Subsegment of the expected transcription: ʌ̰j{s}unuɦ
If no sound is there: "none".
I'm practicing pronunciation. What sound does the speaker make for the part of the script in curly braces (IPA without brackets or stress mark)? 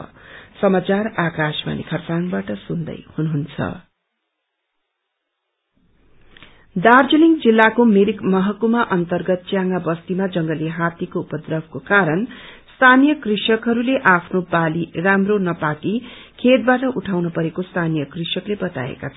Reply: h